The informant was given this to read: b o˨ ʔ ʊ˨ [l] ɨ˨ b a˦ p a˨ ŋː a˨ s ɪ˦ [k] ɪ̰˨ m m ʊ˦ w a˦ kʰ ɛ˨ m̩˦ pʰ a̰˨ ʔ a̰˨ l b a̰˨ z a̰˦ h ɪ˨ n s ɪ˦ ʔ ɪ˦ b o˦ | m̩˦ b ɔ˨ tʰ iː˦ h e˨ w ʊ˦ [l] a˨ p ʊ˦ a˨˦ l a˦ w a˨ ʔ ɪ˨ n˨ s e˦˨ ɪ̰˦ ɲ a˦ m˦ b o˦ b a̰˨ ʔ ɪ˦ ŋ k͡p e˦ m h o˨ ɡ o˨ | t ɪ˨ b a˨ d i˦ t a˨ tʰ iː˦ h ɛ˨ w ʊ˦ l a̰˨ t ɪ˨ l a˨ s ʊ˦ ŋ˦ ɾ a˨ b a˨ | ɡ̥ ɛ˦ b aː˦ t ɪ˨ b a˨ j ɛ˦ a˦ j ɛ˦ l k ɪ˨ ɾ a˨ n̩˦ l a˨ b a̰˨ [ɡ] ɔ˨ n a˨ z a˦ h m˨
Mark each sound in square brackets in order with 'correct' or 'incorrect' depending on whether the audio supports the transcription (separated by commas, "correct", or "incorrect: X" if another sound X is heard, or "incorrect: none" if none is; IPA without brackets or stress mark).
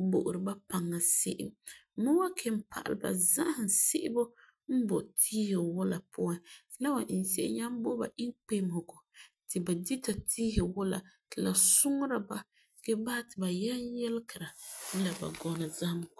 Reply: incorrect: ɾ, incorrect: ʔ, correct, correct